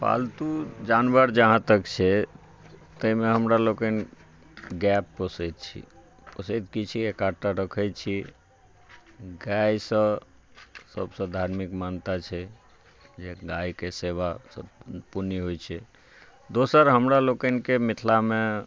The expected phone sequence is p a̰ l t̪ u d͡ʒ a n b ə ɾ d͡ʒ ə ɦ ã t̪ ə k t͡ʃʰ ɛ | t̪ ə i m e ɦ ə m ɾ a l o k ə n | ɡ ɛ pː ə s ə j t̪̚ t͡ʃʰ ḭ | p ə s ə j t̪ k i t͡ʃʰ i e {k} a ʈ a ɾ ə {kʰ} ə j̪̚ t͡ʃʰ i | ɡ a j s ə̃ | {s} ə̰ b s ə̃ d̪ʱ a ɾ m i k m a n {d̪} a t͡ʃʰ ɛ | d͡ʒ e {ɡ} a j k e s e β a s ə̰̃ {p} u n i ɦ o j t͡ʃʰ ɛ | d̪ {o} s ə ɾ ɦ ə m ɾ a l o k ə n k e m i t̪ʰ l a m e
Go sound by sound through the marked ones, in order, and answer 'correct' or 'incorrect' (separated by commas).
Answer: correct, correct, correct, incorrect, correct, correct, correct